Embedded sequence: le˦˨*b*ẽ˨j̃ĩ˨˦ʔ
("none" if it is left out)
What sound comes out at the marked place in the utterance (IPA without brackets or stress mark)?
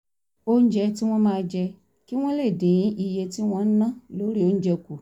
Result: d